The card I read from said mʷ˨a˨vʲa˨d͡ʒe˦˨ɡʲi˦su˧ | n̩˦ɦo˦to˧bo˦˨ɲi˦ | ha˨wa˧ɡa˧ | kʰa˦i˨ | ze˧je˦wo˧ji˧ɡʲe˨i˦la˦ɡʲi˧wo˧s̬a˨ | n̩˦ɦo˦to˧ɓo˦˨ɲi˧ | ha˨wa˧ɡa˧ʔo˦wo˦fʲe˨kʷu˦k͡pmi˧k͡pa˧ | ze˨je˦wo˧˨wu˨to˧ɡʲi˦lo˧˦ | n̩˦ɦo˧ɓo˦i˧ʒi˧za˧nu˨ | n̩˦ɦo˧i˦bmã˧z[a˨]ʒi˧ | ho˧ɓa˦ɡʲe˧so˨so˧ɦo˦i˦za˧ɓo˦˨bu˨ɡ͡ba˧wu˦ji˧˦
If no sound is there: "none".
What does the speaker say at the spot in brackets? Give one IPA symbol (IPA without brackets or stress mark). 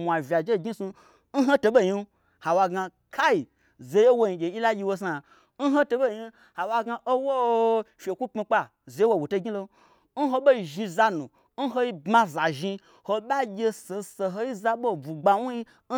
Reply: a˨